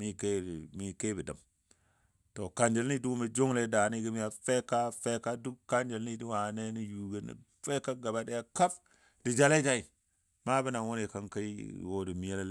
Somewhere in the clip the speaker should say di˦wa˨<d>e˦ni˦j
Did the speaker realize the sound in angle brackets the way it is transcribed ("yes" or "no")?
no